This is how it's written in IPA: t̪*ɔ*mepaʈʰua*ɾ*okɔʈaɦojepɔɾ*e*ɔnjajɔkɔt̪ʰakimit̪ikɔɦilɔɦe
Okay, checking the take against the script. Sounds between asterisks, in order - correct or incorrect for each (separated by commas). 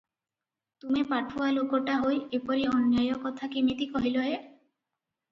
incorrect, incorrect, incorrect